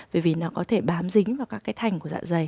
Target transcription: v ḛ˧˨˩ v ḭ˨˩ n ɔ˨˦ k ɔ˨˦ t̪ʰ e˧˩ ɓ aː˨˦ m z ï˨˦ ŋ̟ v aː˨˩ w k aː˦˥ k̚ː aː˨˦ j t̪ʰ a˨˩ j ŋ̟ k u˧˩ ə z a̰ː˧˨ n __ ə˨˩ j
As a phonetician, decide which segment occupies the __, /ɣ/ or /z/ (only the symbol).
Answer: z